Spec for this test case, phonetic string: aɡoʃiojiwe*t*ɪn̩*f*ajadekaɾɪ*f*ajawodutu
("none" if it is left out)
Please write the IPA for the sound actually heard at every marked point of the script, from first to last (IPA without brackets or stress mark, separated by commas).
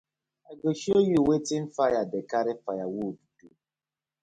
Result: t, f, f